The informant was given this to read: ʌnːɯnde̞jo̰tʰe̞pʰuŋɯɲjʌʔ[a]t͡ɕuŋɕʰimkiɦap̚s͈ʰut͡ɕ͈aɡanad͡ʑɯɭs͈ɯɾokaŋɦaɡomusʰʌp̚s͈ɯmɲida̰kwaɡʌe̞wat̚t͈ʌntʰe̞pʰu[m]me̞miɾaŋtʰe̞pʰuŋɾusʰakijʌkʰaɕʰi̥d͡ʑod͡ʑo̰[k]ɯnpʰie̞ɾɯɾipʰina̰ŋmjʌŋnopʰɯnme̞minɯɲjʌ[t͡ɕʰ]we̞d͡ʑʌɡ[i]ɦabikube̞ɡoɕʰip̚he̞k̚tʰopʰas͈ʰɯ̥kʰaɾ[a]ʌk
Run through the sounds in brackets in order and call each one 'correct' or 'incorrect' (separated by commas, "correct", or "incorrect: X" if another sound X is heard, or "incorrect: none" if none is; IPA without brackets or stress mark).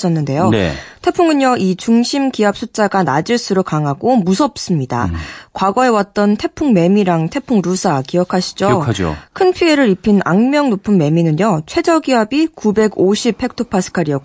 incorrect: i, incorrect: ŋ, incorrect: kʰ, correct, correct, incorrect: i